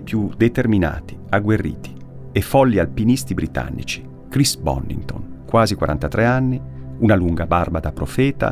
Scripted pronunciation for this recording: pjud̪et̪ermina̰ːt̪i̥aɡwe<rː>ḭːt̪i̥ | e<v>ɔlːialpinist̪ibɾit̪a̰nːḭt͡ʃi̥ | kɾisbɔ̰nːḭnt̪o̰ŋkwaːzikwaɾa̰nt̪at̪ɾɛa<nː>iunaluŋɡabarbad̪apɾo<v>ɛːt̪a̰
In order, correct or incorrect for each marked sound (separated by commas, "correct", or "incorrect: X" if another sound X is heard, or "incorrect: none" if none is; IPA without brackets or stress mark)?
correct, incorrect: f, correct, incorrect: f